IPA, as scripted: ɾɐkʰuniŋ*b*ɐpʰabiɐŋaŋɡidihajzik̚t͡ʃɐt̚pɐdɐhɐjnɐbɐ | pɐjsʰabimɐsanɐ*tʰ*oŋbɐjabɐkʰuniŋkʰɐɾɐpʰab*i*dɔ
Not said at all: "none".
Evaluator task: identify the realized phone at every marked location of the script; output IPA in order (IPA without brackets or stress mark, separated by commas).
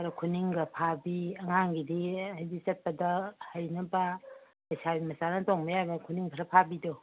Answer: ɡ, t, i